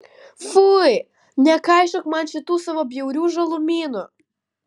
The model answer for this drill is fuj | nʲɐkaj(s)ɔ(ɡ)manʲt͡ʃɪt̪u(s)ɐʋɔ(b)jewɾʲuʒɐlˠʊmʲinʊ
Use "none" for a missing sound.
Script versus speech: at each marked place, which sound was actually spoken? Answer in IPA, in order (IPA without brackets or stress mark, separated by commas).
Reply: ʃ, k, s, b